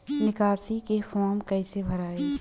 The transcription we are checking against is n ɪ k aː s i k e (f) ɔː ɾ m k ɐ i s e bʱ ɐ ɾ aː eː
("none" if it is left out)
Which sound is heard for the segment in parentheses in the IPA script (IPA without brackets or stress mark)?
f